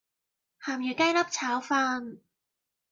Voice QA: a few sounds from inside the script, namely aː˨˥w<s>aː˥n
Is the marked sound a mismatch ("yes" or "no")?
yes